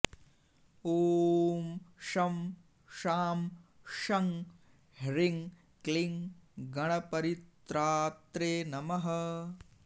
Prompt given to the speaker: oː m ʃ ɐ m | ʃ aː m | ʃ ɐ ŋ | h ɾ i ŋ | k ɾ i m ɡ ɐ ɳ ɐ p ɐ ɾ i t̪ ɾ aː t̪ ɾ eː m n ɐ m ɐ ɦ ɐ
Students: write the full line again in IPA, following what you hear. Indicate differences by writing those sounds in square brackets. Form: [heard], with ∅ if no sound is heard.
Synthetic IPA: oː m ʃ ɐ m | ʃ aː m | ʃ ɐ ŋ | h ɾ i ŋ | k [l] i [ŋ] ɡ ɐ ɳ ɐ p ɐ ɾ i t̪ ɾ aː t̪ ɾ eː [∅] n ɐ m ɐ ɦ ɐ